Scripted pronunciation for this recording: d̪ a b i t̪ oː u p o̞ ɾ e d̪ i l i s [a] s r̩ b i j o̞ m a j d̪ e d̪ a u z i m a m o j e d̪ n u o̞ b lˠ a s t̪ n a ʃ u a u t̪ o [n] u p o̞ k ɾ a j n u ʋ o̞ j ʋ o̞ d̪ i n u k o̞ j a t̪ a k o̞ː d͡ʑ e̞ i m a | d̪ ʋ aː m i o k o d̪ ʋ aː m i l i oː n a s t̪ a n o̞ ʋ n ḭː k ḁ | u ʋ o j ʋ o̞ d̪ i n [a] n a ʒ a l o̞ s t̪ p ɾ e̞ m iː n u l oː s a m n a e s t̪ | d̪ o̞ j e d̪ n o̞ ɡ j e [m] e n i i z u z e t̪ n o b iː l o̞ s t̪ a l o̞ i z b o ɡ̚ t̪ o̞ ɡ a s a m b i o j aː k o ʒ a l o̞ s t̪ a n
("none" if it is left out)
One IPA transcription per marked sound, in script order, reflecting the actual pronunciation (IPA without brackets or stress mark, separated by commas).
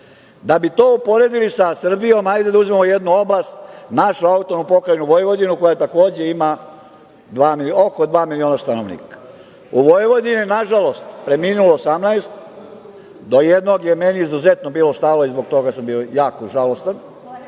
a, n, i, m